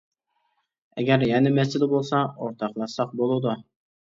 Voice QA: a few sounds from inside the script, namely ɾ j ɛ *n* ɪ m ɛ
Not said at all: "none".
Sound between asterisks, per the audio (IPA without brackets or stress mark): n